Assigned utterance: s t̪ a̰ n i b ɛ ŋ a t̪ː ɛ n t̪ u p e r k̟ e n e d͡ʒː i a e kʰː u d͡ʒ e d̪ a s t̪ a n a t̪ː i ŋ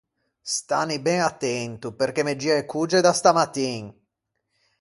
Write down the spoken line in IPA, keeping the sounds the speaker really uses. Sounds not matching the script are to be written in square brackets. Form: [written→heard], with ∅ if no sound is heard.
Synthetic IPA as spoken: s t̪ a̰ n i b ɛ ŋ a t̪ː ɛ n t̪ u p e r k̟ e [n→m] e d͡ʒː i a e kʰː u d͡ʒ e d̪ a s t̪ a [n→m] a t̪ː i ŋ